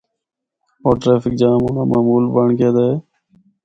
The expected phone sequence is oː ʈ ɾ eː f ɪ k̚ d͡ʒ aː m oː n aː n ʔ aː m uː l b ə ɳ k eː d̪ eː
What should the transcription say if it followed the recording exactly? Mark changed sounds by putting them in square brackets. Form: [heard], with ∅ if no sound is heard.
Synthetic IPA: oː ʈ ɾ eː f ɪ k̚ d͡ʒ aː m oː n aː [m] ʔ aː m uː l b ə ɳ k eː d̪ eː